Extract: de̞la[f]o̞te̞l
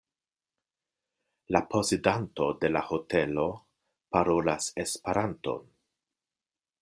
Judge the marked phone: incorrect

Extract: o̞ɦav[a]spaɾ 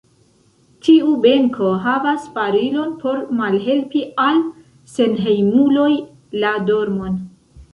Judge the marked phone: correct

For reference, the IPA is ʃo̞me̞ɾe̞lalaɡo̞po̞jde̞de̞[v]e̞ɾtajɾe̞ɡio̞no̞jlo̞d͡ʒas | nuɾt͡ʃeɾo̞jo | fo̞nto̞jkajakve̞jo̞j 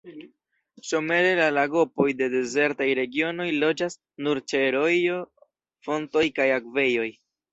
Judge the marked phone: incorrect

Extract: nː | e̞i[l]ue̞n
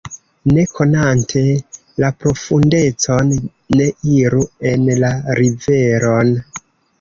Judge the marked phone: incorrect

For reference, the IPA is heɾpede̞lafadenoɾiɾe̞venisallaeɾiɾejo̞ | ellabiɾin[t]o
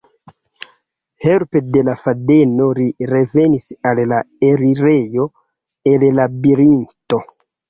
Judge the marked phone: correct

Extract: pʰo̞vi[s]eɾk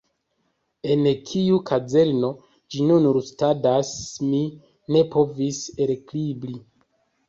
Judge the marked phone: correct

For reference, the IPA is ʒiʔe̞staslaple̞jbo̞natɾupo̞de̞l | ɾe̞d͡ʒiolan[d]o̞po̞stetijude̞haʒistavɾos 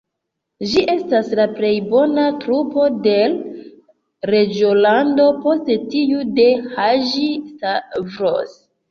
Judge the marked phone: correct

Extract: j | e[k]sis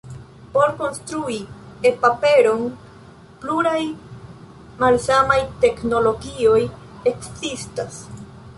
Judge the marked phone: correct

